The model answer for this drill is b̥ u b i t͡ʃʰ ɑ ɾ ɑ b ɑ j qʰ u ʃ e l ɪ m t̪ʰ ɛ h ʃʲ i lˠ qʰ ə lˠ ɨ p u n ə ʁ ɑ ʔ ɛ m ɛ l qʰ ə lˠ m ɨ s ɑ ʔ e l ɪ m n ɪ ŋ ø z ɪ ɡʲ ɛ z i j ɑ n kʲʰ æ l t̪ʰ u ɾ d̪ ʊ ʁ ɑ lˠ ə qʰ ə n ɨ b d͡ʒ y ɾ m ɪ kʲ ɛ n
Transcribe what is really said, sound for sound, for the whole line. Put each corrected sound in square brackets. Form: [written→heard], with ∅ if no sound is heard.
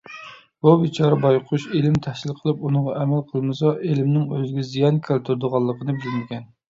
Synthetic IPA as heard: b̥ u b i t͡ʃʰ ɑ ɾ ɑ b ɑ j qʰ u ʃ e l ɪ m t̪ʰ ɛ h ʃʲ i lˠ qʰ ə lˠ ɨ p u n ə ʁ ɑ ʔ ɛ m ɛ l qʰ ə lˠ m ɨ s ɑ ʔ e l ɪ m n ɪ ŋ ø z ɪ ɡʲ ɛ z i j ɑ n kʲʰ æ l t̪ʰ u ɾ d̪ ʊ ʁ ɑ [lˠ→lˠː] ə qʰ ə n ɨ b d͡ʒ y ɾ m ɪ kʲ ɛ n